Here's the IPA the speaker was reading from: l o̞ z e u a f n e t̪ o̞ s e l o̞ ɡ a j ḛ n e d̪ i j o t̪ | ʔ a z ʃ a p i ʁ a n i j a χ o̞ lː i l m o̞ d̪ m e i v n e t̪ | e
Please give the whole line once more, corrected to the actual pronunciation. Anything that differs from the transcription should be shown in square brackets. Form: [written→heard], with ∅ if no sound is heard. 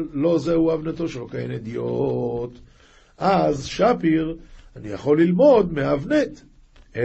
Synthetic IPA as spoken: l o̞ z e u a [f→v] n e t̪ o̞ [s→ʃ] e l o̞ [ɡ→k] a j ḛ n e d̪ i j o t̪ | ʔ a z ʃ a p i ʁ a n i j a χ o̞ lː i l m o̞ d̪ m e [i→a] v n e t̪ | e